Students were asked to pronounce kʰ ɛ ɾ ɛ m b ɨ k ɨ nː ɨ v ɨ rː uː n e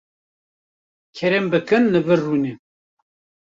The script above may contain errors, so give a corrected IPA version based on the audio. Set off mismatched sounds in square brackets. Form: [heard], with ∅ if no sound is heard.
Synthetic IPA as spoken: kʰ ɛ ɾ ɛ m b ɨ k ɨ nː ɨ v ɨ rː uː n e